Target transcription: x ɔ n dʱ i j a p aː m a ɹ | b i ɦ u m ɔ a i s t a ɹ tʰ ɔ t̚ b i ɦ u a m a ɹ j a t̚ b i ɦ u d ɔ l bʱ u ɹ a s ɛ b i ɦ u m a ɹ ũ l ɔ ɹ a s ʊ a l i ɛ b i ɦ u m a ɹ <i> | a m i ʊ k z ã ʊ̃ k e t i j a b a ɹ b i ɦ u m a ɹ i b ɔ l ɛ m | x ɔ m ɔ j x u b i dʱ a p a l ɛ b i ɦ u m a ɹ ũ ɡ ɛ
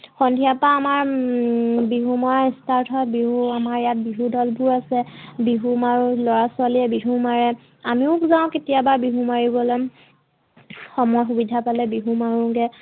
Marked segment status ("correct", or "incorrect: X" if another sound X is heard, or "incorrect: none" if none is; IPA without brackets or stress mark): incorrect: ɛ